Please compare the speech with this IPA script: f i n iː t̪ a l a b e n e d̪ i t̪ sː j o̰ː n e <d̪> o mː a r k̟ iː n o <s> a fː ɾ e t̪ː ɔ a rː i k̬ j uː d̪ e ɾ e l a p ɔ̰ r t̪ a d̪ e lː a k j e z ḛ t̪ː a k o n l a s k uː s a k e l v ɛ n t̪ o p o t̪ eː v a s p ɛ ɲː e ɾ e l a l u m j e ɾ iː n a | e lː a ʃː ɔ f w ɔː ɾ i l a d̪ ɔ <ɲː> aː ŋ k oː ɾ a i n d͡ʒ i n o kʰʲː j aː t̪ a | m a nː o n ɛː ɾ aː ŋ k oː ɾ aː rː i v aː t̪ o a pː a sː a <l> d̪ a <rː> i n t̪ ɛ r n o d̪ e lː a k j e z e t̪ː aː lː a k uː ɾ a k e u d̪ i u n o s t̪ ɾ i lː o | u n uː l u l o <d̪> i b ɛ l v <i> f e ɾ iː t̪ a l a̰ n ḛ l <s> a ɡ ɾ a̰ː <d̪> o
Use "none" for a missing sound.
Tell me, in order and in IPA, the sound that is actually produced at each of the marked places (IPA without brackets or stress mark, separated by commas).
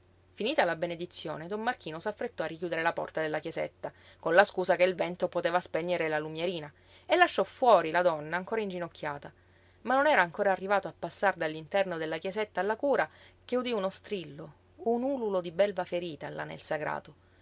d̪, s, nː, r, lː, d̪, a, s, t̪